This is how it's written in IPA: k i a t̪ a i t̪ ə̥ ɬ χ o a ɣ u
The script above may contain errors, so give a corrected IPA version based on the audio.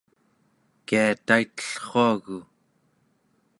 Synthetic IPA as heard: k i a t̪ a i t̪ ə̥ ɬ χ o a ɣ u